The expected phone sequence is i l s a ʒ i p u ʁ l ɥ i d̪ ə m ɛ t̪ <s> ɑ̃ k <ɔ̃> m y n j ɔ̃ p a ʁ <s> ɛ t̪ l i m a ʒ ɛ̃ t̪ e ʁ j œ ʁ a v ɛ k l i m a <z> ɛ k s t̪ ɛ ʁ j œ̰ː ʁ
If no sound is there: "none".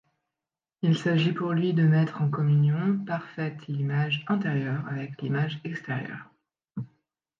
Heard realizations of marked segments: χ, ɔ, f, ʒ

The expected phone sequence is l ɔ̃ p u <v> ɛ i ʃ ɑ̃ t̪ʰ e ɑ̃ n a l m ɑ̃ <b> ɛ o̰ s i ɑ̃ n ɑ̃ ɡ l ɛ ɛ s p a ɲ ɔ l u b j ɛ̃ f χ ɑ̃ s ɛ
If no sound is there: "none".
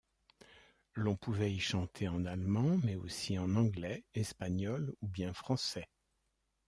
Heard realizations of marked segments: v, m

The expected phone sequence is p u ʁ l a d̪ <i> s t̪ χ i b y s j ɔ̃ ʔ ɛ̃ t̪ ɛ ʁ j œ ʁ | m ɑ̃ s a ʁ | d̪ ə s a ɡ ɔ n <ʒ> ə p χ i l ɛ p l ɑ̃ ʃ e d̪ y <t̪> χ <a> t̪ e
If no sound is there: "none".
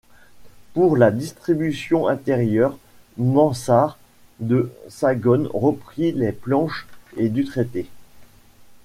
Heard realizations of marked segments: i, ʁ, t̪, e

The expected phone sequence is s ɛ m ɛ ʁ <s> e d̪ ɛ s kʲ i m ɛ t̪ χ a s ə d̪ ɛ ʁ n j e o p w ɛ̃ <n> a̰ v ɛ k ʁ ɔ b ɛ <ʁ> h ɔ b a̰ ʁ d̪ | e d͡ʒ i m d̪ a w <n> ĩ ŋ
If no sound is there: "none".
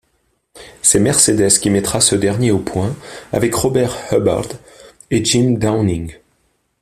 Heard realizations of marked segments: s, none, ʁ, n

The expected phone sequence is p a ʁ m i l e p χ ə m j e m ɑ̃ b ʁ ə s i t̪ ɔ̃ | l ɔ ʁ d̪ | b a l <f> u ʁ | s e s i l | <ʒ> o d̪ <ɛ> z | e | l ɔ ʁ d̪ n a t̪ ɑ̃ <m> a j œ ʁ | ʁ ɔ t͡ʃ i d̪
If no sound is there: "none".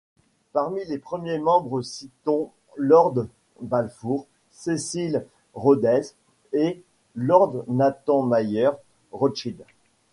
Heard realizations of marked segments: f, ʁ, ɛ, m

